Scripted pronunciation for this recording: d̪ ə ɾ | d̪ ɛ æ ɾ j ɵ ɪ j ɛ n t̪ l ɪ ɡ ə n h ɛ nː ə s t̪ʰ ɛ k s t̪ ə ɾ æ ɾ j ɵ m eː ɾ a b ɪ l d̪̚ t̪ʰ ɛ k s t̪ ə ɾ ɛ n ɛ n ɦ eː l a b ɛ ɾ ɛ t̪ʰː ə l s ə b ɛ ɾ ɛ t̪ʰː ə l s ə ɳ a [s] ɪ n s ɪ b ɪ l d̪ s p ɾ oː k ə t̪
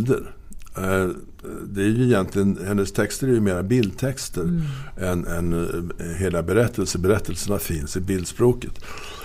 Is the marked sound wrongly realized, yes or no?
yes